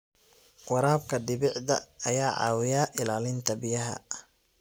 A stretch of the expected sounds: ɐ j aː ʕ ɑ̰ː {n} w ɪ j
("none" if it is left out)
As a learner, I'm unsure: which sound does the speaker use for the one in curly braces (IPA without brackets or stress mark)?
none